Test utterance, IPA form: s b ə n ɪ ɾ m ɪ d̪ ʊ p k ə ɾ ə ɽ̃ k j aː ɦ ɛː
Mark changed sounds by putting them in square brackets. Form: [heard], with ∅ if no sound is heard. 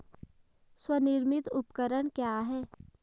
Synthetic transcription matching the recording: s [w] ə n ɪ ɾ m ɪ [t̪] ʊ p k ə ɾ ə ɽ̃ k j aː ɦ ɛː